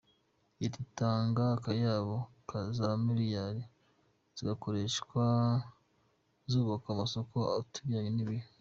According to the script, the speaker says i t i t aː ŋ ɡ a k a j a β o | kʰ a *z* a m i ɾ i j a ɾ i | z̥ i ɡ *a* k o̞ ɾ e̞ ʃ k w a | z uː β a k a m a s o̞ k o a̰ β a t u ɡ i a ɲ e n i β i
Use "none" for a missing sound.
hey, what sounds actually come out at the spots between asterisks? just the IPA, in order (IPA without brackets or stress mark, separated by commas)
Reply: z, a